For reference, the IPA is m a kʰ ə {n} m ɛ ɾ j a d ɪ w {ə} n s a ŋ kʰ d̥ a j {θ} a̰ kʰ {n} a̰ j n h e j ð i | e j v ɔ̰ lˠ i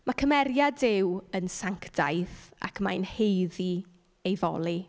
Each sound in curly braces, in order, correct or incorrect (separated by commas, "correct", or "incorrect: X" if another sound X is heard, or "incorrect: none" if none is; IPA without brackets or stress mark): incorrect: none, correct, correct, incorrect: m